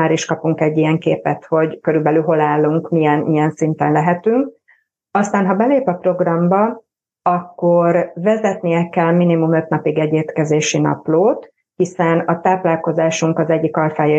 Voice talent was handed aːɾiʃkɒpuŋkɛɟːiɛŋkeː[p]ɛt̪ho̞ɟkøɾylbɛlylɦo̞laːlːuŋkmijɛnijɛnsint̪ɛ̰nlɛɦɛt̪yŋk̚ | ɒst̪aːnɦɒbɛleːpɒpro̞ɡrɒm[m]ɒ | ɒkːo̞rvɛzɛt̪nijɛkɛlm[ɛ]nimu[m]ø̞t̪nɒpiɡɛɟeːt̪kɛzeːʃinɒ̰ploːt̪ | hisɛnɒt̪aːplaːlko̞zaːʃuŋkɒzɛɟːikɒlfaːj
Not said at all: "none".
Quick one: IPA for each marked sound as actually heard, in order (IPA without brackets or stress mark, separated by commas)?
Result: p, b, i, m